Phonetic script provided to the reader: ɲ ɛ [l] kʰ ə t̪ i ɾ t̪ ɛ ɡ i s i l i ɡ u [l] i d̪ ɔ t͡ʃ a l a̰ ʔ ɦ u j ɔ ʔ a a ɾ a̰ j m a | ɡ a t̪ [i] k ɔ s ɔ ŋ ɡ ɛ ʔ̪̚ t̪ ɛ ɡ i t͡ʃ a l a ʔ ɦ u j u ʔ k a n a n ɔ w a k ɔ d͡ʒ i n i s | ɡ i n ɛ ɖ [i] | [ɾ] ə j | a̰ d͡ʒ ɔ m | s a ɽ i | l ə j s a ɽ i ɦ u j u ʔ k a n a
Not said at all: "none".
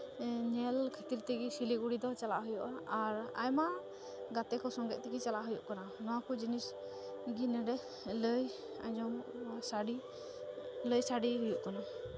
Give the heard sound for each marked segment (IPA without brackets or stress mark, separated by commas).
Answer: l, ɽ, ɛ, ɛ, l